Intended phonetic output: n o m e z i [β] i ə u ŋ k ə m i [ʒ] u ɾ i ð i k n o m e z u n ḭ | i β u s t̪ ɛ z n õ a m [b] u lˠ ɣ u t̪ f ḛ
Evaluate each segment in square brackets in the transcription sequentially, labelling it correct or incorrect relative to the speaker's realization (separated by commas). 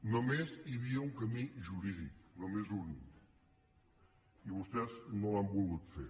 correct, correct, correct